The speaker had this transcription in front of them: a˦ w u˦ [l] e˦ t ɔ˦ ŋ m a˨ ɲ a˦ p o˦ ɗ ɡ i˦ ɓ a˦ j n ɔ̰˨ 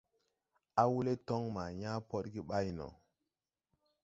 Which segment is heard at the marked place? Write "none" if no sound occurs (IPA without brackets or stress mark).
l